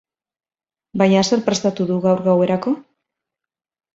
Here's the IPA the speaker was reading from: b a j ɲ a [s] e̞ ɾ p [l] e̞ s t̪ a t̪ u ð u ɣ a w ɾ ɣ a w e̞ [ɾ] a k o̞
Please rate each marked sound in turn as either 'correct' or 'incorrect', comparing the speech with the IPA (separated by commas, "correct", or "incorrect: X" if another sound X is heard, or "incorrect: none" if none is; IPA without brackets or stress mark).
correct, incorrect: ɾ, correct